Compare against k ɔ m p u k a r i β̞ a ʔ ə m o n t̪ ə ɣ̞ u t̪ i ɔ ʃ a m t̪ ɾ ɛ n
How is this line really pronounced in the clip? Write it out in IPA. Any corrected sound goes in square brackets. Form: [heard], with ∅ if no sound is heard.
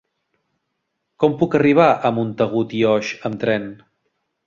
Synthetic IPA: k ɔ m p u k [ə] r i β̞ a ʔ ə m [u] n t̪ ə ɣ̞ u t̪ i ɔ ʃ [ə] m t̪ ɾ ɛ n